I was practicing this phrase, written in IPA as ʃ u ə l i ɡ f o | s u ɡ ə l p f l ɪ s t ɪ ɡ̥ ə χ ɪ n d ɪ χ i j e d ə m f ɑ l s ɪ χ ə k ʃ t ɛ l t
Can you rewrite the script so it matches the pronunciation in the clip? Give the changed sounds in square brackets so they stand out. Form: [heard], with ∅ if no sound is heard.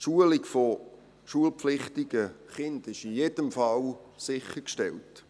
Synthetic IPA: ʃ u ə l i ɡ f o | [ʃ] u [∅] ə l p f l ɪ [χ] t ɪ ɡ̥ ə χ ɪ n d ɪ [ʃ] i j e d ə m f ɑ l s ɪ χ ə k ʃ t ɛ l t